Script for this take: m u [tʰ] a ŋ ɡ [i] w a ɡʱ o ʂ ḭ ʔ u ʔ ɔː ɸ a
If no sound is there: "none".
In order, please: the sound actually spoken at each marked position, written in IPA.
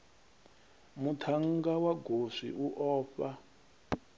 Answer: tʰ, a

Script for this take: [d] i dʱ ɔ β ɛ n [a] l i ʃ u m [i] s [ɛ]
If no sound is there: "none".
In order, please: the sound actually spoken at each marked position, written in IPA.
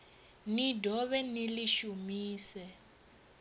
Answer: n, i, iː, ɛ

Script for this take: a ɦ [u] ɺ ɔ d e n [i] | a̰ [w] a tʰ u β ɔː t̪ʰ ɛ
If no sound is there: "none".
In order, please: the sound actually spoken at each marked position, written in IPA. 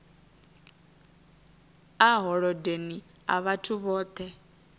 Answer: ɔ, i, β

